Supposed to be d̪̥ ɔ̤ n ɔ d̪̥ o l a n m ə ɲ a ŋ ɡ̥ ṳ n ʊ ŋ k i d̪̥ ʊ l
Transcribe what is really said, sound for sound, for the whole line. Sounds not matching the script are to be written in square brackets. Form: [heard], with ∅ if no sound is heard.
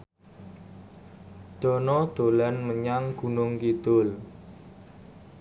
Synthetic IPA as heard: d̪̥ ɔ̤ n ɔ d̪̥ o l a n m ə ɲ a ŋ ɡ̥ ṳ n ʊ ŋ k i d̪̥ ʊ l